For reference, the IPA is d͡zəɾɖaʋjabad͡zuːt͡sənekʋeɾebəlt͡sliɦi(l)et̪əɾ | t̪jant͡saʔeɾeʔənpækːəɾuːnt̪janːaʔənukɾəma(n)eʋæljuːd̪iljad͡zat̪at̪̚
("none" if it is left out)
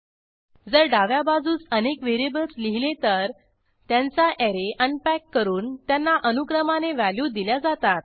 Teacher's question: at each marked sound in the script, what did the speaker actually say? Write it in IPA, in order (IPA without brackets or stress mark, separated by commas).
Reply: l, n